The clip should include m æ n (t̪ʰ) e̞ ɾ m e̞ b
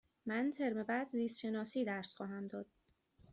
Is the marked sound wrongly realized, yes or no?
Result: no